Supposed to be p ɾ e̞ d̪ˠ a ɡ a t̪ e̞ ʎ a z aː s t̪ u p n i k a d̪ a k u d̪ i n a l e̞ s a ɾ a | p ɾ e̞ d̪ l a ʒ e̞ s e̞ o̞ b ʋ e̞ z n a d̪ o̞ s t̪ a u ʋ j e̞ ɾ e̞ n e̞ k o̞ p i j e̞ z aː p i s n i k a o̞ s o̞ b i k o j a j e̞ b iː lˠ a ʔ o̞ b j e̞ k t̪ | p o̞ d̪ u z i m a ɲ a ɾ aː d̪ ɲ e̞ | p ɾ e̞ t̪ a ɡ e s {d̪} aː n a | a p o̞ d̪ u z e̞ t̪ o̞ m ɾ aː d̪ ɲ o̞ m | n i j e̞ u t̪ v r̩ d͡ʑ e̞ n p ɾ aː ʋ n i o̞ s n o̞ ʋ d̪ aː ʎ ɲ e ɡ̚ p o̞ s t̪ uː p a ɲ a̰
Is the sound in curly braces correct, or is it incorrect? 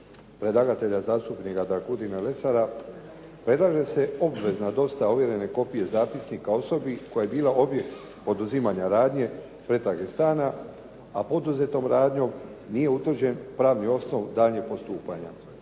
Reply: incorrect